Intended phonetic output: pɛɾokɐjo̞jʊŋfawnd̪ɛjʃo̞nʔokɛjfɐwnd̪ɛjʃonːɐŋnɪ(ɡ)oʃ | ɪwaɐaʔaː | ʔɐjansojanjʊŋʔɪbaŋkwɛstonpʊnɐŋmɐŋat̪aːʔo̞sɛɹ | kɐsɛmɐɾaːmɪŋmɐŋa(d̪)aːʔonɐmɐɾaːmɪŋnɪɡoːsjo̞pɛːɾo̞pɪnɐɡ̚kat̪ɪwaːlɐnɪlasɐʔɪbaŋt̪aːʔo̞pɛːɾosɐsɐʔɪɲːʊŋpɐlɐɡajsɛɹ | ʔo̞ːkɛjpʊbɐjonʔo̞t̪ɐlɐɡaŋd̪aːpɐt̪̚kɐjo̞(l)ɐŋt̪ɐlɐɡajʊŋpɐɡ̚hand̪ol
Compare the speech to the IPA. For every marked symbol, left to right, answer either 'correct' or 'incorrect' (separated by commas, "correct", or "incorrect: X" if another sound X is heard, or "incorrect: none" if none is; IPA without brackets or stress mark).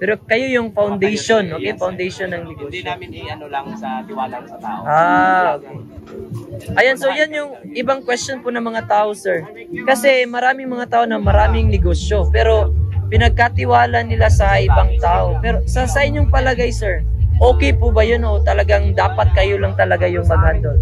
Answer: correct, incorrect: t̪, correct